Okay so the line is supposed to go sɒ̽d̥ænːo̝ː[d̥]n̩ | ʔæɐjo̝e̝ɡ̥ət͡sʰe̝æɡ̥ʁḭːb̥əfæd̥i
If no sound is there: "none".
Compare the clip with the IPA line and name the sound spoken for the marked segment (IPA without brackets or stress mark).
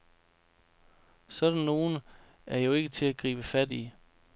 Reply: none